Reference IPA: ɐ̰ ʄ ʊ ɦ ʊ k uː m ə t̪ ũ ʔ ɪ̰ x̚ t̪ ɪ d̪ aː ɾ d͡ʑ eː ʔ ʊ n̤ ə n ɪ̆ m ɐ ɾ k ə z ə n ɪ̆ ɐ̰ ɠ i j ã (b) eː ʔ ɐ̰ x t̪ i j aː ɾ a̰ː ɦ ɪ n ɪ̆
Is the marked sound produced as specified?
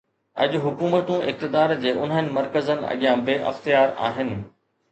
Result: yes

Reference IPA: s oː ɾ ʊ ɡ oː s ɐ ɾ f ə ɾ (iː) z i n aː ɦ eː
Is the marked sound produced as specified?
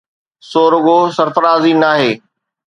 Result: no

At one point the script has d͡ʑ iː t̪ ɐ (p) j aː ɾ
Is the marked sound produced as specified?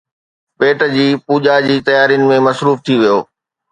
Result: no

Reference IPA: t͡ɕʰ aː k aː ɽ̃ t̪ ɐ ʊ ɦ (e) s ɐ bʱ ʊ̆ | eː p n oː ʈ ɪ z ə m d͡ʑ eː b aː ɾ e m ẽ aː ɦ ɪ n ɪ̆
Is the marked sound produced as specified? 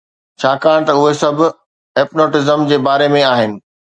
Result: yes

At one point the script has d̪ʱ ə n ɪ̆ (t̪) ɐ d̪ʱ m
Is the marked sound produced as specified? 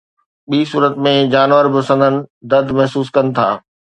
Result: no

